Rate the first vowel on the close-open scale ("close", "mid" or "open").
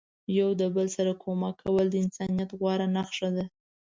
open